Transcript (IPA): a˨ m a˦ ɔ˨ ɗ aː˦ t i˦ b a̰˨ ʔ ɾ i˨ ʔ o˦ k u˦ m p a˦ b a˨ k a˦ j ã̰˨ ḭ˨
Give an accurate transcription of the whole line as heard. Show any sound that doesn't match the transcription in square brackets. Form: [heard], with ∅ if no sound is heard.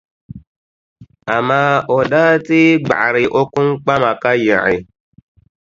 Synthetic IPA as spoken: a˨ m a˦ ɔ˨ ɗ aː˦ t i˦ [ɡ͡b] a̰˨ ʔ ɾ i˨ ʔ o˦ k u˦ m [k͡p] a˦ [m] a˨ k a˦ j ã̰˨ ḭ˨